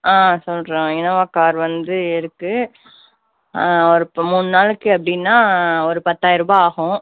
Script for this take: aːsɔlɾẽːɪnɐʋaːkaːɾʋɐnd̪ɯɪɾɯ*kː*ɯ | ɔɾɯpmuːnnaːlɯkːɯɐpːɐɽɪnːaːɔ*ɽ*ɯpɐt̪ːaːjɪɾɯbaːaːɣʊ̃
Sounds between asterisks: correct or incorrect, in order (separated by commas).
correct, incorrect